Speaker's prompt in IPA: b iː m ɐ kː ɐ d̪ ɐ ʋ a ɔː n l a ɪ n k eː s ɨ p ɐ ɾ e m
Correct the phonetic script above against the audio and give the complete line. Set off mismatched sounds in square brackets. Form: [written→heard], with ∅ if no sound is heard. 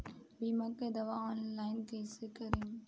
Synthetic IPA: b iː m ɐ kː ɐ d̪ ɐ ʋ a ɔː n l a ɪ n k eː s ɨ [p→k] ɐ ɾ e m